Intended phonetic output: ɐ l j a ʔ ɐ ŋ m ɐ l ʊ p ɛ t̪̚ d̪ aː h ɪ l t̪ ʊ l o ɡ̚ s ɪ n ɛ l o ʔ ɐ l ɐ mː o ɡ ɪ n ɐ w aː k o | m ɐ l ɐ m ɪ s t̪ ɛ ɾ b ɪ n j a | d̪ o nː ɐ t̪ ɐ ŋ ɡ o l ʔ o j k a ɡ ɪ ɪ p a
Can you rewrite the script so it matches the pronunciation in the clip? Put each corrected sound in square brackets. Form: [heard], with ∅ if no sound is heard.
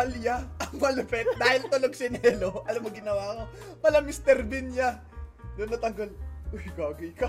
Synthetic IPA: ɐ l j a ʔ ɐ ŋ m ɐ l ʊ p ɛ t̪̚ d̪ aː h ɪ l t̪ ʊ l o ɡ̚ s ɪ n ɛ l o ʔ ɐ l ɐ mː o ɡ ɪ n ɐ w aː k o | m ɐ l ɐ m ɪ s t̪ ɛ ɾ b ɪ n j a | d̪ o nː ɐ t̪ ɐ ŋ ɡ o l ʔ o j k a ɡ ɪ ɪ [k] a